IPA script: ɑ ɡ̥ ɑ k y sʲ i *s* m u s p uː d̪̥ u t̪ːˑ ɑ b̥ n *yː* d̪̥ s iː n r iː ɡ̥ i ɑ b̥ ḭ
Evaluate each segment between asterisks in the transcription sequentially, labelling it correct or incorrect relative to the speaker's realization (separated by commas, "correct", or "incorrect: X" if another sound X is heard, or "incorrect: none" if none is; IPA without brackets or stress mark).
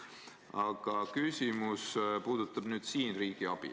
incorrect: none, correct